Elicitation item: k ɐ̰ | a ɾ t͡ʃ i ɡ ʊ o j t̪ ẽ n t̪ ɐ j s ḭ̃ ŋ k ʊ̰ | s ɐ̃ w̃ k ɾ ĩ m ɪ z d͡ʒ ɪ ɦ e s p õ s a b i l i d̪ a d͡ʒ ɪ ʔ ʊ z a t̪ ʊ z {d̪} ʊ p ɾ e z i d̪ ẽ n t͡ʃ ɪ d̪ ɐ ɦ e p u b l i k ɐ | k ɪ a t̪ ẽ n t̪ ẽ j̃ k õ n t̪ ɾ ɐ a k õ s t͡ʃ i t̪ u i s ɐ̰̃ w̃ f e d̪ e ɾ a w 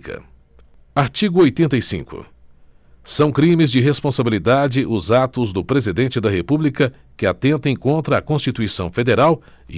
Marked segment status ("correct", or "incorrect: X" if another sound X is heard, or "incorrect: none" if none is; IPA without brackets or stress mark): correct